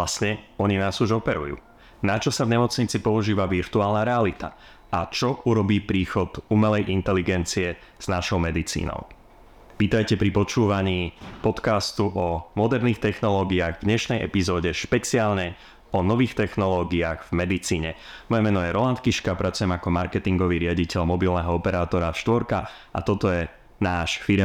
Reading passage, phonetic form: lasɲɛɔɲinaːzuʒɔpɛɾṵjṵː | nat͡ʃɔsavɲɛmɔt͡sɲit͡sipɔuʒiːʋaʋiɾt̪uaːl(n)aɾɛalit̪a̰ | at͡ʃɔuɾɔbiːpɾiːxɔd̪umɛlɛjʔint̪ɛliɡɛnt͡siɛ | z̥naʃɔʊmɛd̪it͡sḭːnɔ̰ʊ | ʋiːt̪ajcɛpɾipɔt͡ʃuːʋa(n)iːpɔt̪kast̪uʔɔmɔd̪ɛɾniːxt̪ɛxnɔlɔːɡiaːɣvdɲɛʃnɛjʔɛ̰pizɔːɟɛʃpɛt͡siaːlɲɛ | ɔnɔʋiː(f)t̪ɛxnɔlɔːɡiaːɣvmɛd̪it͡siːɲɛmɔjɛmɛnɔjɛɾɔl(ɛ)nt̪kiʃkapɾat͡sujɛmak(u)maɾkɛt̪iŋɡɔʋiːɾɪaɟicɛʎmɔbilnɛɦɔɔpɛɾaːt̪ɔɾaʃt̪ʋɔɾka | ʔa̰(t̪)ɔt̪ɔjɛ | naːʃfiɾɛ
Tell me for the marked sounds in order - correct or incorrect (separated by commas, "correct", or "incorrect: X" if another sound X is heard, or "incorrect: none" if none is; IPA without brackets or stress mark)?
correct, incorrect: ɲ, incorrect: x, incorrect: a, incorrect: ɔ, correct